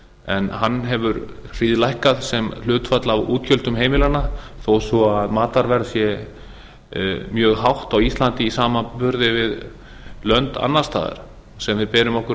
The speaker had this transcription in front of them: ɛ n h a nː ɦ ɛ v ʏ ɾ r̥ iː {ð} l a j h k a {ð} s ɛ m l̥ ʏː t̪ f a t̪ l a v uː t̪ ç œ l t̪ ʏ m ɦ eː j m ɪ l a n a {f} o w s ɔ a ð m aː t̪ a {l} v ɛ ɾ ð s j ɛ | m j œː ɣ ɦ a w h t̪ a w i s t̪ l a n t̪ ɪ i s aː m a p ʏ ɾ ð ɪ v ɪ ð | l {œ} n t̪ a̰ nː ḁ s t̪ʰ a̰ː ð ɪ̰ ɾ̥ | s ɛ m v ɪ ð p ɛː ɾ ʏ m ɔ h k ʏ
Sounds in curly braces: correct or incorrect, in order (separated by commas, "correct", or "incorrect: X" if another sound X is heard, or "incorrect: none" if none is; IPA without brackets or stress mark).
correct, correct, incorrect: θ, incorrect: ɾ, correct